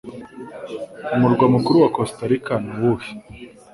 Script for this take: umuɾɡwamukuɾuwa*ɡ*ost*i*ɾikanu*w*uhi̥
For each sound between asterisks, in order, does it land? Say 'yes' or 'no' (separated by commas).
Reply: no, no, yes